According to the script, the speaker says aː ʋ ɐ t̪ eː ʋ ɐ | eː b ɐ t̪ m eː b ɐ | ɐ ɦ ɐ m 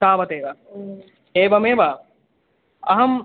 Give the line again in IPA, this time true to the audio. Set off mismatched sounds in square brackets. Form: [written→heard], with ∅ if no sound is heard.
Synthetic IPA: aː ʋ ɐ t̪ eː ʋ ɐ | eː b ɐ [t̪→∅] m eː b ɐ | ɐ ɦ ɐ m

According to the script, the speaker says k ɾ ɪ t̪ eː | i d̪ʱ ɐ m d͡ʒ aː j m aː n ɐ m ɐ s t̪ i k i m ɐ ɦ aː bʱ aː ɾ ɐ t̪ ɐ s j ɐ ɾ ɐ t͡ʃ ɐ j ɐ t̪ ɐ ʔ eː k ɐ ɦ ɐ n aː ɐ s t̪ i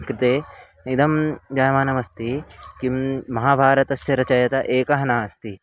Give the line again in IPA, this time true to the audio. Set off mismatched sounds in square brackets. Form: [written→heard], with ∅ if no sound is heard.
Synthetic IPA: k ɾ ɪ t̪ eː | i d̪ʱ ɐ m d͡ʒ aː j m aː n ɐ m ɐ s t̪ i k i m ɐ ɦ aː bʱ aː ɾ ɐ t̪ ɐ s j ɐ ɾ ɐ t͡ʃ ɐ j ɐ t̪ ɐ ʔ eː k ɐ ɦ ɐ n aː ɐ s t̪ i

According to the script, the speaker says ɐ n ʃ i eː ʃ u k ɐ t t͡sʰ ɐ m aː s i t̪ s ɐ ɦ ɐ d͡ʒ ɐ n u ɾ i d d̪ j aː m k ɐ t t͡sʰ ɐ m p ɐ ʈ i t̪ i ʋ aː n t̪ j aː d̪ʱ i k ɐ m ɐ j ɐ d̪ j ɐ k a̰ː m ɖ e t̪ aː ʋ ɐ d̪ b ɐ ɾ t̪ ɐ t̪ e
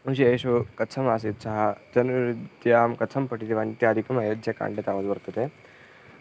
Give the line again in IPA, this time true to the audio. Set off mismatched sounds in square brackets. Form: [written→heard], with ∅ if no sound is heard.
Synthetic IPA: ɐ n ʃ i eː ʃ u k ɐ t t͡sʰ ɐ m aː s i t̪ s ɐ ɦ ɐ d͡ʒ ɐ n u ɾ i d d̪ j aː m k ɐ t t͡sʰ ɐ m p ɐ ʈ i t̪ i ʋ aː n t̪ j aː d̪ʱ i k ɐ m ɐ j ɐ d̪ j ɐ k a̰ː [m→ɳ] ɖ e t̪ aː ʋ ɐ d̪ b ɐ ɾ t̪ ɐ t̪ e

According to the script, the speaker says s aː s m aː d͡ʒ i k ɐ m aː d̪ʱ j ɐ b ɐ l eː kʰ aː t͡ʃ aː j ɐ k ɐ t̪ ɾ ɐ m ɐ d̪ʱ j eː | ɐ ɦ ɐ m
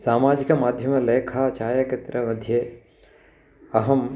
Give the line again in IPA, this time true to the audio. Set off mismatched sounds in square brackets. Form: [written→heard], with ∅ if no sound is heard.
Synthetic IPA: s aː [s→∅] m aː d͡ʒ i k ɐ m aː d̪ʱ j ɐ [b→m] ɐ l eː kʰ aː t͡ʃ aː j ɐ k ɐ t̪ ɾ ɐ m ɐ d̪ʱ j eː | ɐ ɦ ɐ m

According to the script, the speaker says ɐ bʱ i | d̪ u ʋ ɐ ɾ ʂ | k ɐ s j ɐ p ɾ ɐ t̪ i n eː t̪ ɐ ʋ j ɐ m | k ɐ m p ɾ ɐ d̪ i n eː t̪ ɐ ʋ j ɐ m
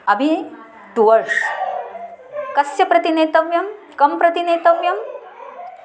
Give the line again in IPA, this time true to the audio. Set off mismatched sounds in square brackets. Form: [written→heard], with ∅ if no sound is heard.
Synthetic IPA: ɐ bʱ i | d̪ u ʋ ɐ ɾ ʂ | k ɐ s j ɐ p ɾ ɐ t̪ i n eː t̪ ɐ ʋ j ɐ m | k ɐ m p ɾ ɐ [d̪→t̪] i n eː t̪ ɐ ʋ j ɐ m

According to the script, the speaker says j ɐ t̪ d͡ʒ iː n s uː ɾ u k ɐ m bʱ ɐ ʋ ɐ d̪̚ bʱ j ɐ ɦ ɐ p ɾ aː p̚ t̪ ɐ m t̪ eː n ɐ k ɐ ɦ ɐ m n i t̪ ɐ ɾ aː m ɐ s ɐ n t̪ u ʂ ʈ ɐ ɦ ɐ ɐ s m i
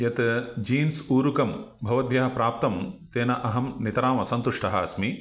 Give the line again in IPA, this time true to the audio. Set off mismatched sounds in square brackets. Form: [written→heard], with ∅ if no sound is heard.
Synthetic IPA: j ɐ t̪ d͡ʒ iː n s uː ɾ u k ɐ m bʱ ɐ ʋ ɐ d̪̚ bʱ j ɐ ɦ ɐ p ɾ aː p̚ t̪ ɐ m t̪ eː n ɐ [k→ʔ] ɐ ɦ ɐ m n i t̪ ɐ ɾ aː m ɐ s ɐ n t̪ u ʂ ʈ ɐ ɦ ɐ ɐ s m i

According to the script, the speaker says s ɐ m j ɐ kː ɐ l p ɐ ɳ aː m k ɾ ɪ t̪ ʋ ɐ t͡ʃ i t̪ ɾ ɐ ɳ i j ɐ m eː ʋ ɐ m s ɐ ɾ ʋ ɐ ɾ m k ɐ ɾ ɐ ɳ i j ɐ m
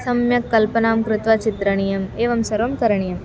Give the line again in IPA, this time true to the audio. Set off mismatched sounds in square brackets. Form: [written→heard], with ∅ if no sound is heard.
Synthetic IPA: s ɐ m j ɐ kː ɐ l p ɐ [ɳ→n] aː m k ɾ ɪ t̪ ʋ ɐ t͡ʃ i t̪ ɾ ɐ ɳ i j ɐ m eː ʋ ɐ m s ɐ ɾ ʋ ɐ [ɾ→∅] m k ɐ ɾ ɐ ɳ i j ɐ m

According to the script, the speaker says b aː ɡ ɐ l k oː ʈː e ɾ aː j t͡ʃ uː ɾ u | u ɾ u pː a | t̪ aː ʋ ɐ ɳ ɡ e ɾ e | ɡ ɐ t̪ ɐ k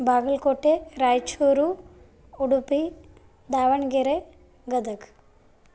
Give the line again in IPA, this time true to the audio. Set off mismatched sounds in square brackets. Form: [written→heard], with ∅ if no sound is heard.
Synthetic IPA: b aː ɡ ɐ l k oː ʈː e ɾ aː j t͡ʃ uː ɾ u | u [ɾ→ɽ] u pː [a→i] | [t̪→d̪] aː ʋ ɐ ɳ ɡ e ɾ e | ɡ ɐ [t̪→d̪] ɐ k

